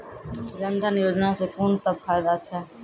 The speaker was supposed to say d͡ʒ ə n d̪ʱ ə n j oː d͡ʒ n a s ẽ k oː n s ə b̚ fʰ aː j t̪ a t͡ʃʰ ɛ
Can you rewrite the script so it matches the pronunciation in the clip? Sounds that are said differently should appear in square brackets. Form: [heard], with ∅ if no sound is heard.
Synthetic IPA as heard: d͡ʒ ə n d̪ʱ ə n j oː d͡ʒ n a s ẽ k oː n s ə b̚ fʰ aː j [d̪] a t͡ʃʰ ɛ